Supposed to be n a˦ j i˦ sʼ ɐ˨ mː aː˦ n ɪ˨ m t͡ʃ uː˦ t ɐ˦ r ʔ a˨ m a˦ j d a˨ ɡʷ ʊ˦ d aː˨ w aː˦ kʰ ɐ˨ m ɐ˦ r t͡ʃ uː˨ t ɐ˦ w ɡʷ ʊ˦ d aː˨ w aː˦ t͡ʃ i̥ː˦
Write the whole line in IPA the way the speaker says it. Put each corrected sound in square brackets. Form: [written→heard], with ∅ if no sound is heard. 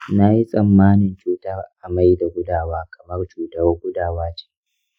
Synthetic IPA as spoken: n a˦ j i˦ sʼ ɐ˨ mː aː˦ n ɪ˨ [m→n] t͡ʃ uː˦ t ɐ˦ r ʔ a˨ m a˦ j d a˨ ɡʷ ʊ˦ d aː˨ w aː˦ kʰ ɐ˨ m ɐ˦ r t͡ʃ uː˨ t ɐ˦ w ɡʷ ʊ˦ d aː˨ w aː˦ t͡ʃ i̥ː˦